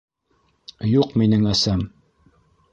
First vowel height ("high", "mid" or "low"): high